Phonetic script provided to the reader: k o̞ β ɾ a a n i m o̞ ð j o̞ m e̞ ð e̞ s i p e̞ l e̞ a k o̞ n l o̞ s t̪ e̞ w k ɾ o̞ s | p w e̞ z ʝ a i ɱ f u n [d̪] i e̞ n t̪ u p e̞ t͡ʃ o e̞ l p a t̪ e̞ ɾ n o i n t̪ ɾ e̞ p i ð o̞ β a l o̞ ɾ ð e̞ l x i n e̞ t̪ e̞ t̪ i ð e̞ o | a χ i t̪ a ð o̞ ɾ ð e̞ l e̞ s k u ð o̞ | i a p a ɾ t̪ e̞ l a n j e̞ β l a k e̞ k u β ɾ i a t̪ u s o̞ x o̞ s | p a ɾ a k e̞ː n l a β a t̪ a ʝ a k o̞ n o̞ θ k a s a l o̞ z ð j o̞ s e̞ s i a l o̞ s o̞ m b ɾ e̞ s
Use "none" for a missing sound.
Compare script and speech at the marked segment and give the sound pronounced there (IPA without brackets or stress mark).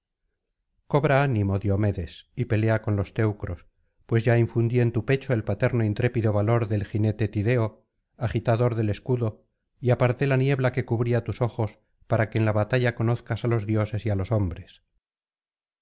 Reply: d̪